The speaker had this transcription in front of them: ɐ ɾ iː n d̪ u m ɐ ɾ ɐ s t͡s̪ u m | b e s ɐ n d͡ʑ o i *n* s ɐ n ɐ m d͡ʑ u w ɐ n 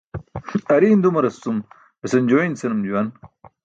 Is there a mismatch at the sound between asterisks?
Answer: no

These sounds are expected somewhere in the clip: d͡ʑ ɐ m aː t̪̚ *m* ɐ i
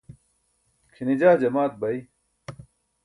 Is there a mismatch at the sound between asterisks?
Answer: yes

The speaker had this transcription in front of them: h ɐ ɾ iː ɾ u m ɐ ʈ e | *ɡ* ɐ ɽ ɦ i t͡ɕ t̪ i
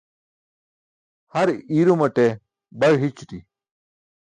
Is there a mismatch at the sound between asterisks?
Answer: yes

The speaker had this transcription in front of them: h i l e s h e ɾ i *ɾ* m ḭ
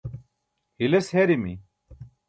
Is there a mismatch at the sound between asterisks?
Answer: yes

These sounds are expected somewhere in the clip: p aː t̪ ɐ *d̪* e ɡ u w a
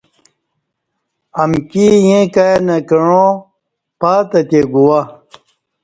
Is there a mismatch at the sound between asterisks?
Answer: yes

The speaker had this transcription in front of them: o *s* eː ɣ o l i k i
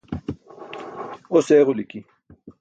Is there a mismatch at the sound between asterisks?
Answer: no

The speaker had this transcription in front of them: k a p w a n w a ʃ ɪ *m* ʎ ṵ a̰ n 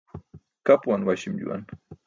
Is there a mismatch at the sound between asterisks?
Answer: no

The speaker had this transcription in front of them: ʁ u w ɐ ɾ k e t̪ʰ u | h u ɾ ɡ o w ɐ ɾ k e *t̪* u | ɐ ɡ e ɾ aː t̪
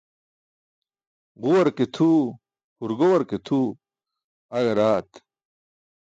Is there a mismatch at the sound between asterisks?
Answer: yes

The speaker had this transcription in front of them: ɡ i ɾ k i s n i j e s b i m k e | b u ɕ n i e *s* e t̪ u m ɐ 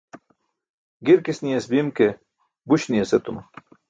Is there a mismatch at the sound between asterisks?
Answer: no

